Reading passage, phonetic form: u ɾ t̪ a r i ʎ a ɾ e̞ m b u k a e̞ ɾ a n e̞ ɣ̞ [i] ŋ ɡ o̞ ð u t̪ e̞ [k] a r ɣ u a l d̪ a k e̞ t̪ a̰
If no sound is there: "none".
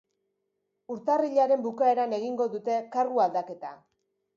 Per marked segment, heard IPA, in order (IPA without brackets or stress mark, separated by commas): i, k